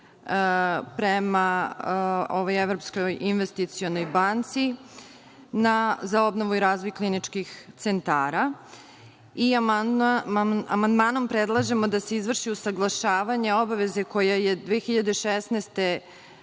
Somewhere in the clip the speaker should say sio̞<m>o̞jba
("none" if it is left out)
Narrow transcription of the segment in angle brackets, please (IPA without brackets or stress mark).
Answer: n